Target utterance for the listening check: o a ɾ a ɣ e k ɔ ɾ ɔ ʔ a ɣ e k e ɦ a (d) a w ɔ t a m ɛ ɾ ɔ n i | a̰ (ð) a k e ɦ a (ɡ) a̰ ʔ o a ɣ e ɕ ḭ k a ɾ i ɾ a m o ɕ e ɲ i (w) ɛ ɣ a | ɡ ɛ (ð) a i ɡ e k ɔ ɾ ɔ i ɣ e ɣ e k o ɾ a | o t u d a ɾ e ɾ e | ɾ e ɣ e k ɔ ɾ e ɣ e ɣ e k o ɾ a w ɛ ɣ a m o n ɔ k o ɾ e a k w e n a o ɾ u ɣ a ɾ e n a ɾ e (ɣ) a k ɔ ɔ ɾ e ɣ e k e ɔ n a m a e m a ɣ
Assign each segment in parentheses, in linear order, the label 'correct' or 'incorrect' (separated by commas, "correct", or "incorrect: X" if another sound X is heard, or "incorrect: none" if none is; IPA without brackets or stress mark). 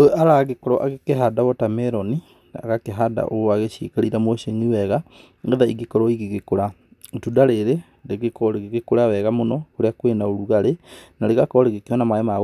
correct, incorrect: ɣ, incorrect: d, correct, correct, correct